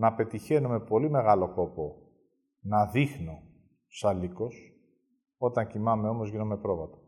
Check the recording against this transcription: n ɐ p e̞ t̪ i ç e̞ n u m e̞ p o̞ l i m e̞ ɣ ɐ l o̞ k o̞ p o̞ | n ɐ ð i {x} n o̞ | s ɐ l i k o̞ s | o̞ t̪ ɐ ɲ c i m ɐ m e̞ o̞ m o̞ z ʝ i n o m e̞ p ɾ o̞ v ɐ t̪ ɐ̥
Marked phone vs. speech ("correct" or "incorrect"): correct